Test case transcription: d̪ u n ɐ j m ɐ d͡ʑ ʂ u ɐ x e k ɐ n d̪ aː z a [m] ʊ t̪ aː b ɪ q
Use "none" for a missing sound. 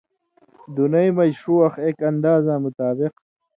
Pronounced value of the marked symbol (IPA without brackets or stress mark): m